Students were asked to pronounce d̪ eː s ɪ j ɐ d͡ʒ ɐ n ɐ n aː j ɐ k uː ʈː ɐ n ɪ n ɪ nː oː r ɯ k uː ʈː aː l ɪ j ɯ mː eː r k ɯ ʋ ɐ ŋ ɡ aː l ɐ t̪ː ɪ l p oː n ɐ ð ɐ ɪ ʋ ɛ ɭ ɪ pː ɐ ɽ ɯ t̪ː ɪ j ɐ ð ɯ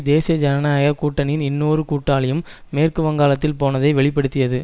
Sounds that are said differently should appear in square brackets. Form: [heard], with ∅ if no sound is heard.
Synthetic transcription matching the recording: d̪ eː s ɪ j ɐ d͡ʒ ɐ n ɐ n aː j ɐ k uː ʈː ɐ n ɪ n ɪ nː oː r ɯ k uː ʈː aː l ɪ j ɯ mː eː r k ɯ ʋ ɐ ŋ ɡ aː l ɐ t̪ː ɪ l p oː n ɐ ð ɐ ɪ ʋ ɛ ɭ ɪ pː ɐ ɽ ɯ t̪ː ɪ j ɐ ð ɯ